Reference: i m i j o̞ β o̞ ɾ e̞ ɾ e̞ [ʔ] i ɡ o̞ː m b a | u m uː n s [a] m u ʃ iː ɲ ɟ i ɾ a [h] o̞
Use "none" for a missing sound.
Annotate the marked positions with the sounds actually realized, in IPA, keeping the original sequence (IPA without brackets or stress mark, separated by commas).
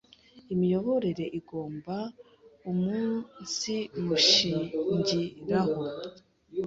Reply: ʔ, i, h